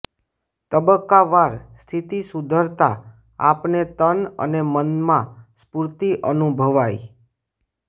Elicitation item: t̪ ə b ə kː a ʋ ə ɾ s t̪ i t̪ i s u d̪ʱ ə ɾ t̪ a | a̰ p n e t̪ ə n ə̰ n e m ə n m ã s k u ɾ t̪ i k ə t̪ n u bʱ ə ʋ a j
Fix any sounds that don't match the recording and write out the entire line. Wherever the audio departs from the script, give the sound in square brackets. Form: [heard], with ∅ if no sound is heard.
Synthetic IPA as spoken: t̪ ə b ə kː a ʋ [a] ɾ s [t̪ʰ] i t̪ i s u d̪ʱ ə ɾ t̪ a | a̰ p n e t̪ ə n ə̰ n e m ə n m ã s [p] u ɾ t̪ i [ʔ] ə [∅] n u bʱ ə ʋ a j